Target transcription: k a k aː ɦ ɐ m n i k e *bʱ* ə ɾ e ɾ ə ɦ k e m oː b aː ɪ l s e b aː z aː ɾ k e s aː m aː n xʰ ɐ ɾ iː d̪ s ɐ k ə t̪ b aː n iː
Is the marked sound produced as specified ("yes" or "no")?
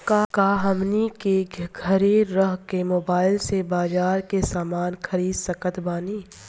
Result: no